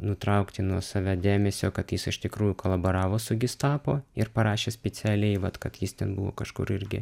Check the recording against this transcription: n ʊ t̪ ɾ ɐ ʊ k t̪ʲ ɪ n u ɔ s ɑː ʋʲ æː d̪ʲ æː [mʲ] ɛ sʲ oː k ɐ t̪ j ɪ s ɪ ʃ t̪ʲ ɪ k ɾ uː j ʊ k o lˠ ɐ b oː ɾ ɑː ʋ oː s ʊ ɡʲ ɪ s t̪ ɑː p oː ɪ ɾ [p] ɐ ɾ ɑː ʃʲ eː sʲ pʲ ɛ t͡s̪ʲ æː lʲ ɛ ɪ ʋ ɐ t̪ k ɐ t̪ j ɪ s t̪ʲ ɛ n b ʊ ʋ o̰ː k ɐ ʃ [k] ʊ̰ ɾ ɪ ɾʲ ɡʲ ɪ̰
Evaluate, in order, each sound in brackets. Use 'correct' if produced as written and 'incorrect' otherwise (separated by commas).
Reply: correct, correct, correct